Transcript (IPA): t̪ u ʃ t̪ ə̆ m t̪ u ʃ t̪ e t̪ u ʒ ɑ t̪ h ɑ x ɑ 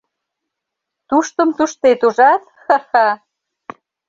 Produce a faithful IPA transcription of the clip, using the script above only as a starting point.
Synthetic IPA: t̪ u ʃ t̪ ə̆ m t̪ u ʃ t̪ e t̪ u ʒ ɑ t̪ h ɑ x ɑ